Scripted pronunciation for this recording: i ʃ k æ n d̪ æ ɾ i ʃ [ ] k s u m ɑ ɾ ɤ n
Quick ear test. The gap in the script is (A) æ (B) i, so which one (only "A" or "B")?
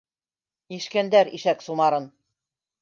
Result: A